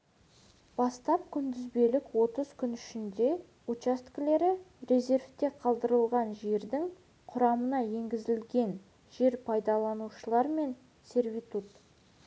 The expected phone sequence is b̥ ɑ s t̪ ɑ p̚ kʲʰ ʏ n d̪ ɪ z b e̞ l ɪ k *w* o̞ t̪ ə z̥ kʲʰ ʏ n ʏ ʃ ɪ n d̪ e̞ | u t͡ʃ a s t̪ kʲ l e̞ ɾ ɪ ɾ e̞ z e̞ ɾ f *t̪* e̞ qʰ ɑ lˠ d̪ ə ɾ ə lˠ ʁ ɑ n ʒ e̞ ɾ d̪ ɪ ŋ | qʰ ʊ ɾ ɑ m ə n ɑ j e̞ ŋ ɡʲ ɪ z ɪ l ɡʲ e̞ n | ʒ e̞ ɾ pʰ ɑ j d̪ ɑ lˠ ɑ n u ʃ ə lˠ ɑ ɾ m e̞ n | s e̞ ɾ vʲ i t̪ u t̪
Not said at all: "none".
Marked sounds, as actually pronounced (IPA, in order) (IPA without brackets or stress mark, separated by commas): w, t̪